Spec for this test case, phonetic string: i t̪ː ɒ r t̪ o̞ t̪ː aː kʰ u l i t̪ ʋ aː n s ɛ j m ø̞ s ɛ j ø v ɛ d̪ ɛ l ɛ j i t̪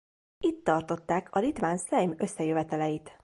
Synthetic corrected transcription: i t̪ː ɒ r t̪ o̞ t̪ː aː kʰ ɒ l i t̪ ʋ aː n s ɛ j m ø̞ sː ɛ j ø v ɛ t̪ ɛ l ɛ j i t̪